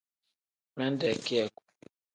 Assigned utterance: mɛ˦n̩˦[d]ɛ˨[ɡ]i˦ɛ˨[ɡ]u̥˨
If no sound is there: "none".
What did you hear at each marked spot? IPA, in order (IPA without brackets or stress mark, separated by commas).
d, k, k